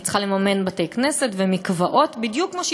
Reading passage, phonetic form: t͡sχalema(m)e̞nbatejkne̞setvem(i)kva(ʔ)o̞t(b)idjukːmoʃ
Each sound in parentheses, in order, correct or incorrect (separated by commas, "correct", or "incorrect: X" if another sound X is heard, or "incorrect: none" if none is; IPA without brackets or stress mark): correct, correct, correct, correct